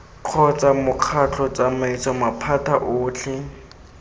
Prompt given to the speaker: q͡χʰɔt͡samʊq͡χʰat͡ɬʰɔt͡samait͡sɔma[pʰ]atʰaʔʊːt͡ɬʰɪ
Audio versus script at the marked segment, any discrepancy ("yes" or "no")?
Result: no